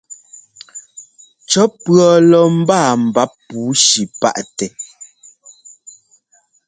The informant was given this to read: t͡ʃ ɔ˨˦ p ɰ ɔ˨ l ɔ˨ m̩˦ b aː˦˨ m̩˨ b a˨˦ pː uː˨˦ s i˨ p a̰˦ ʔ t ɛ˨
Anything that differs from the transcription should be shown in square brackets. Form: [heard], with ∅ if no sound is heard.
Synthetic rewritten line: t͡ʃ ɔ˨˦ p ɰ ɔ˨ l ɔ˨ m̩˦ b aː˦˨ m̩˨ b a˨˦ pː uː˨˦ [ʃ] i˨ p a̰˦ ʔ t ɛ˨